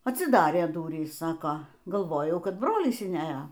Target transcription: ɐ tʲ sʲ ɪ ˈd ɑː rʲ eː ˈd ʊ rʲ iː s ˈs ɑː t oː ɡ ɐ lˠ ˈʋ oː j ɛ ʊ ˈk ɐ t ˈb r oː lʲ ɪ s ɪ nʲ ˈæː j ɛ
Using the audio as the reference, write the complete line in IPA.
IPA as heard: ɐ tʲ sʲ ɪ ˈd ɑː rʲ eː ˈd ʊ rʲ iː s ˈs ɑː k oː ɡ ɐ lˠ ˈʋ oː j ɛ ʊ ˈk ɐ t ˈb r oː lʲ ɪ s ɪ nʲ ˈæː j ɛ